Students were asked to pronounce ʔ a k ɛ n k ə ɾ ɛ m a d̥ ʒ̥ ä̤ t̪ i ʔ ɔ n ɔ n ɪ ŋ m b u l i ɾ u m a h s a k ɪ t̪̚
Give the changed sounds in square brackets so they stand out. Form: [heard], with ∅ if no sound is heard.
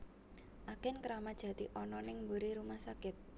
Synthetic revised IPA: ʔ a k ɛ n k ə ɾ [a] m a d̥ ʒ̥ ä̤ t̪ i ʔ ɔ n ɔ n ɪ ŋ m b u [ɾ] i ɾ u m a h s a k ɪ t̪̚